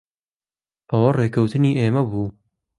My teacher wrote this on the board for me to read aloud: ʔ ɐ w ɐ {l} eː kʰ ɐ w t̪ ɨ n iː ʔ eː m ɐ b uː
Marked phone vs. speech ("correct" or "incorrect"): incorrect